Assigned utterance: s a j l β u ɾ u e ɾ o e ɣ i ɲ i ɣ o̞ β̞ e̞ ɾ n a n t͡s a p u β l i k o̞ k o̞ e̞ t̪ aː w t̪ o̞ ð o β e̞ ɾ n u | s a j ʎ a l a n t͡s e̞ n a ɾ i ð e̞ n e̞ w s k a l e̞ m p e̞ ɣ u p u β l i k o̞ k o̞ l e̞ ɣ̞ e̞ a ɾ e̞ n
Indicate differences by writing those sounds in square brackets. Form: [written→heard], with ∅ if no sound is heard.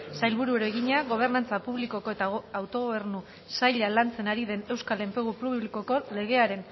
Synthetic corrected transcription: s a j l β u ɾ u e ɾ o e ɣ i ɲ [i→a] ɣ o̞ β̞ e̞ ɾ n a n t͡s a p u β l i k o̞ k o̞ e̞ t̪ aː w t̪ o̞ [ð→ɣ] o β e̞ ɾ n u | s a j ʎ a l a n t͡s e̞ n a ɾ i ð e̞ n e̞ w s k a l e̞ m p e̞ ɣ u p u β l i k o̞ k o̞ l e̞ ɣ̞ e̞ a ɾ e̞ n

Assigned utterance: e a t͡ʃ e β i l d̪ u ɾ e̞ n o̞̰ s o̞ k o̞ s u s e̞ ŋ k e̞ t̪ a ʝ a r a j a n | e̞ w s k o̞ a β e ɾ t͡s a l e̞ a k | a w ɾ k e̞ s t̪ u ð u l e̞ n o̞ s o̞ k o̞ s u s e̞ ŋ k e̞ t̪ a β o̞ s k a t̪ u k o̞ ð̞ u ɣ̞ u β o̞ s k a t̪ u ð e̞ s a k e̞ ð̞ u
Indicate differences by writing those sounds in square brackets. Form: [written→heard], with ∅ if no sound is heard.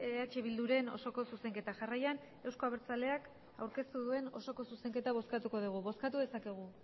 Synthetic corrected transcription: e a t͡ʃ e β i l d̪ u ɾ e̞ n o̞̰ s o̞ k o̞ s u s e̞ ŋ k e̞ t̪ a ʝ a r a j a n | e̞ w s k o̞ a β e ɾ t͡s a l e̞ a k | a w ɾ k e̞ s t̪ u ð u [l→∅] e̞ n o̞ s o̞ k o̞ s u s e̞ ŋ k e̞ t̪ a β o̞ s k a t̪ u k o̞ ð̞ u ɣ̞ u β o̞ s k a t̪ u ð e̞ s a k e̞ [ð̞→ɣ̞] u

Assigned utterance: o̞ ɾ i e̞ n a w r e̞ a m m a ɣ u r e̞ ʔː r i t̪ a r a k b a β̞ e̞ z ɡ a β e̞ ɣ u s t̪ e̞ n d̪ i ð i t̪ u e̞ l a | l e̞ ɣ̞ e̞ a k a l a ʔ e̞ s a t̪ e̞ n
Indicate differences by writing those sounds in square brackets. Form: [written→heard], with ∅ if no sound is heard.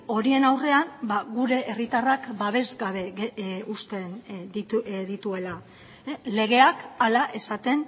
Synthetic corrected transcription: o̞ ɾ i e̞ n a w r e̞ a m [m→b] a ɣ u [r→ɾ] e̞ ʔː r i t̪ a r a k b a β̞ e̞ z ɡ a β e̞ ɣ u s t̪ e̞ n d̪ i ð i t̪ u e̞ l a | l e̞ ɣ̞ e̞ a k a l a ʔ e̞ s a t̪ e̞ n

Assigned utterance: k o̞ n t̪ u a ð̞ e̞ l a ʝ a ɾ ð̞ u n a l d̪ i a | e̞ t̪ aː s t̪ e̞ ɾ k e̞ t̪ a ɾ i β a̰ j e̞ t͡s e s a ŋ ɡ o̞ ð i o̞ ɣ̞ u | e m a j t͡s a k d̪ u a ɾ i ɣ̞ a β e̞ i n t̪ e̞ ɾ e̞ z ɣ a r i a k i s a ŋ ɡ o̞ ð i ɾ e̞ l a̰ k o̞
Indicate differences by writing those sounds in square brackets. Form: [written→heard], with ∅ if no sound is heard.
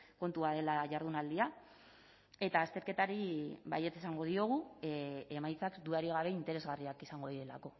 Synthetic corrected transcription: k o̞ n t̪ u a ð̞ e̞ l a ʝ a ɾ ð̞ u n a l d̪ i a | e̞ t̪ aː s t̪ e̞ ɾ k e̞ t̪ a ɾ i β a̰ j e̞ t͡s e s a ŋ ɡ o̞ ð i o̞ ɣ̞ u | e m a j t͡s a k d̪ u a ɾ i ɣ̞ a β e̞ i n t̪ e̞ ɾ e̞ z ɣ a r i a k i s a ŋ ɡ o̞ ð i ɾ e̞ l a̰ k o̞

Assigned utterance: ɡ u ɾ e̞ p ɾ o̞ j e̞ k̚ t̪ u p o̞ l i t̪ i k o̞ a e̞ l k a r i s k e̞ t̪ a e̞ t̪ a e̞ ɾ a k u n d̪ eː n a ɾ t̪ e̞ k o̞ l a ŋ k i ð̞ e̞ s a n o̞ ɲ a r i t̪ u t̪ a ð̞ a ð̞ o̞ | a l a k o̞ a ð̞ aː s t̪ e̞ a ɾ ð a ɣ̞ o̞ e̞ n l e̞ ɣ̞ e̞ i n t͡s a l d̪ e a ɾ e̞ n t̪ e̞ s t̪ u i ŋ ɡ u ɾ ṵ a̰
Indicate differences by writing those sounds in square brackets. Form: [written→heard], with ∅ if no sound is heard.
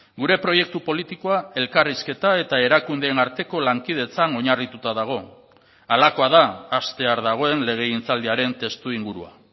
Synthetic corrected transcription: ɡ u ɾ e̞ p ɾ o̞ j e̞ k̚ t̪ u p o̞ l i t̪ i k o̞ a e̞ l k a r i s k e̞ t̪ a e̞ t̪ a e̞ ɾ a k u n d̪ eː n a ɾ t̪ e̞ k o̞ l a ŋ k i ð̞ e̞ [s→t͡s] a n o̞ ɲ a r i t̪ u t̪ a ð̞ a [ð̞→ɣ̞] o̞ | a l a k o̞ a ð̞ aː s t̪ e̞ a ɾ ð a ɣ̞ o̞ e̞ n l e̞ ɣ̞ e̞ i n t͡s a l d̪ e a ɾ e̞ n t̪ e̞ s t̪ u i ŋ ɡ u ɾ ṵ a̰

